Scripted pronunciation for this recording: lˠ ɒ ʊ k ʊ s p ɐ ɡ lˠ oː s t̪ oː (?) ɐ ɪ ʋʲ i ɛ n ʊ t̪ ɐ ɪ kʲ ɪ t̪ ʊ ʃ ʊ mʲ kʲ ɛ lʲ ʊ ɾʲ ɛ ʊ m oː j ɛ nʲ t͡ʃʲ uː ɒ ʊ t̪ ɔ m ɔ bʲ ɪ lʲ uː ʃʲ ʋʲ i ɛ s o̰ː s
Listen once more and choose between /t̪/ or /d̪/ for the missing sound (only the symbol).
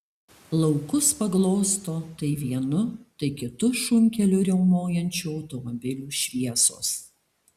t̪